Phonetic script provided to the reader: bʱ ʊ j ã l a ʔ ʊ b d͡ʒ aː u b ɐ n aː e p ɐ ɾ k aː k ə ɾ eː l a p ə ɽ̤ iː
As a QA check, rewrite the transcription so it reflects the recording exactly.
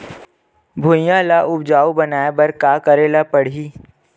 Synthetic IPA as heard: bʱ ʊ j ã l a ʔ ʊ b d͡ʒ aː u b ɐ n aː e b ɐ ɾ k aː k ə ɾ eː l a p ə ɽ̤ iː